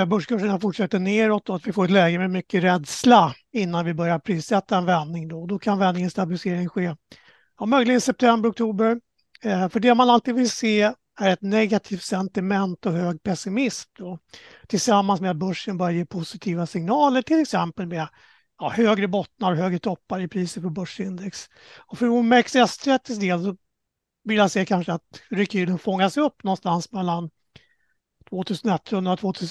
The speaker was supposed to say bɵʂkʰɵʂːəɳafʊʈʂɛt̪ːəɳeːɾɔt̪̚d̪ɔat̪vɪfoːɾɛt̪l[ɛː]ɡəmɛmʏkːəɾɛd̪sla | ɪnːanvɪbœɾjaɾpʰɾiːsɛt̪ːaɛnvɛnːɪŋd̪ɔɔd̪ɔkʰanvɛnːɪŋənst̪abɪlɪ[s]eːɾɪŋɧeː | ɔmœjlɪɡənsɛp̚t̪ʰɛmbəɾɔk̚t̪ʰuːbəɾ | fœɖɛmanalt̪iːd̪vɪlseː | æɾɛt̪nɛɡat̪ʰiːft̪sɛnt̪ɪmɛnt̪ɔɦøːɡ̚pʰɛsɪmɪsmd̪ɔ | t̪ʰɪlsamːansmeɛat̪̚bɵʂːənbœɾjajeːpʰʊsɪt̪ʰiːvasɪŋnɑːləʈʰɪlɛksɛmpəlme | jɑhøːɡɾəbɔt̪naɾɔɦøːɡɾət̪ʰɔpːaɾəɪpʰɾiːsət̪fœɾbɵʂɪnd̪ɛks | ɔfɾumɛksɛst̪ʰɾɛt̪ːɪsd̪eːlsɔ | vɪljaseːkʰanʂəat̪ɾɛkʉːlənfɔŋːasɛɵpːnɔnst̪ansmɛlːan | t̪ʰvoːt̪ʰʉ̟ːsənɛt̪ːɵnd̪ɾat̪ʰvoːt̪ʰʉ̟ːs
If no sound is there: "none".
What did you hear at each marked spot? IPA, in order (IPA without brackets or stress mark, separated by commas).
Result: ɛː, s